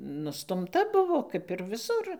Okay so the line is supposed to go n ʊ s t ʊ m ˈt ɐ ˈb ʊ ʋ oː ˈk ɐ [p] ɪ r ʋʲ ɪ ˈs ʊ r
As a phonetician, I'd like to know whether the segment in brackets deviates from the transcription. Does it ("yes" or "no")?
no